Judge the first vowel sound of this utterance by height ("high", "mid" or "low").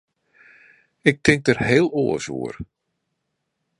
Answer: high